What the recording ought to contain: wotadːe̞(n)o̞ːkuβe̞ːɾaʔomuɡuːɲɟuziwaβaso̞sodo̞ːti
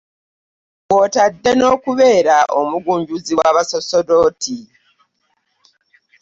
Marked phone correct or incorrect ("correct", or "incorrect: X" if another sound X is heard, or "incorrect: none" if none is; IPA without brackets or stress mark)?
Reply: correct